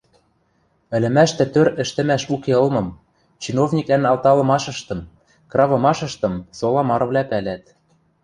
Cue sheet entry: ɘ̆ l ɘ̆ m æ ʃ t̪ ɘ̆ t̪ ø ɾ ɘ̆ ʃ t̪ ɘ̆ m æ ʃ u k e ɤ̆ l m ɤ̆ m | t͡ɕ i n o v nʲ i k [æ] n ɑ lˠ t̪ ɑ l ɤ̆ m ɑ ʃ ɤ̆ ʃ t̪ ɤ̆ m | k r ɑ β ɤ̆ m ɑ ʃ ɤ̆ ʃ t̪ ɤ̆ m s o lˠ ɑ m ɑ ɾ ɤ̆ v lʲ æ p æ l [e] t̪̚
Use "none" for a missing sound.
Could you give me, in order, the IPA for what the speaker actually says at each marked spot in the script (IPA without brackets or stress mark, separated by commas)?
æ, æ